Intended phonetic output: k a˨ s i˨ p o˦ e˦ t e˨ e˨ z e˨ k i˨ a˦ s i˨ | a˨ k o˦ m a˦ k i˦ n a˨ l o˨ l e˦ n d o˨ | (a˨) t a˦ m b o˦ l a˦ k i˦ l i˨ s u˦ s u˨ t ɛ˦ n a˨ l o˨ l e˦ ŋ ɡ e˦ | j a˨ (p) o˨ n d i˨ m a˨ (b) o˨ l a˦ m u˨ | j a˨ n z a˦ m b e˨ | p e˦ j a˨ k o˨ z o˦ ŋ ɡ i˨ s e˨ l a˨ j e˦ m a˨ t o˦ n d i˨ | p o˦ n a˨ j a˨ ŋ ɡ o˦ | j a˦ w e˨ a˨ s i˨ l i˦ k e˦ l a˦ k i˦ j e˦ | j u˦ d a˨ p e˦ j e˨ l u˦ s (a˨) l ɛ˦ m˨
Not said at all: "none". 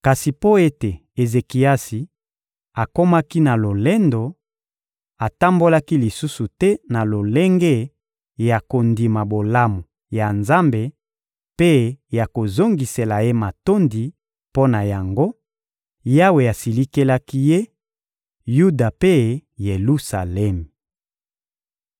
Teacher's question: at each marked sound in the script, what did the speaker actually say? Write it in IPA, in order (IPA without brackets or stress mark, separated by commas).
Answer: a˨, k, b, a˨